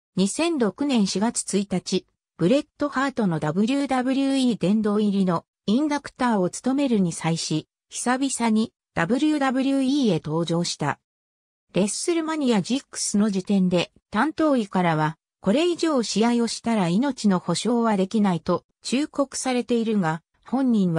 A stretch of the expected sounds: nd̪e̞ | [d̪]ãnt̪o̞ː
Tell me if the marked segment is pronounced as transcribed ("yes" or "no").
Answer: no